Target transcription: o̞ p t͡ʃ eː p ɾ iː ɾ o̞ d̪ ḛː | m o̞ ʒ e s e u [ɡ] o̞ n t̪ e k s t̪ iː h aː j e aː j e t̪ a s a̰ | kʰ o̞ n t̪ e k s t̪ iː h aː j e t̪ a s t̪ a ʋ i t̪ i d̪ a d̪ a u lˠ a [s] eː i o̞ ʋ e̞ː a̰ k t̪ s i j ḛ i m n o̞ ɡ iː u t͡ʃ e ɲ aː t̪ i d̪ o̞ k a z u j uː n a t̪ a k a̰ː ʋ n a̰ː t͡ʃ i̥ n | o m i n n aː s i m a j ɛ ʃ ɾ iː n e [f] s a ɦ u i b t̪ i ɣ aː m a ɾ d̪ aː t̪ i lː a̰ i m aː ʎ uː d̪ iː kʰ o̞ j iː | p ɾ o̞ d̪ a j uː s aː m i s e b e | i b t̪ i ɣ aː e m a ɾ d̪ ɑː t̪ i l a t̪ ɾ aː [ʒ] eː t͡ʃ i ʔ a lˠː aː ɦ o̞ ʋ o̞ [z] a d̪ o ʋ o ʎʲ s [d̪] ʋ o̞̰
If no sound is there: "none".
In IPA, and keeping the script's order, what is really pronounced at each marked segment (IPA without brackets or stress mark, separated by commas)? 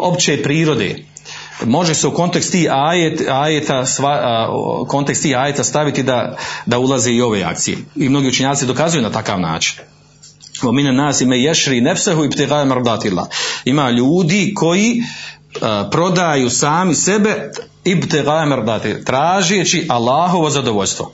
k, z, f, ʒ, z, t̪